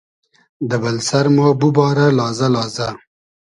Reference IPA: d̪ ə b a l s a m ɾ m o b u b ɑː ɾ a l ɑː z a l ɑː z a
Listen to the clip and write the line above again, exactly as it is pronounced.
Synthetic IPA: d̪ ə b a l s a ɾ m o b u b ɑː ɾ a l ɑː z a l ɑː z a